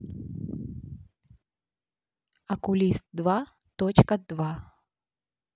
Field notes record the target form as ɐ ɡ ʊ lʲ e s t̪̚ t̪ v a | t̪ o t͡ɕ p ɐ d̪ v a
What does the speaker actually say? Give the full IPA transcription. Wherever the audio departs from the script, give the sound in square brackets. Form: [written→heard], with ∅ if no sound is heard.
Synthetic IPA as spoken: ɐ [ɡ→k] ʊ lʲ [e→i] s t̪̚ [t̪→d̪] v a | t̪ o t͡ɕ [p→k] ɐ d̪ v a